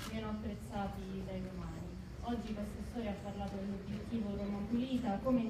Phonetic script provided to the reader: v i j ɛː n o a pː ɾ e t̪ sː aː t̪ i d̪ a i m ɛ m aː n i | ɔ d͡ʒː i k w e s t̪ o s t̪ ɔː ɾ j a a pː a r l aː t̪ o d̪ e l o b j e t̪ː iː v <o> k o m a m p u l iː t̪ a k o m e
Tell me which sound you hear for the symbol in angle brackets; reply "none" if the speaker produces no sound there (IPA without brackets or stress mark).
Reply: o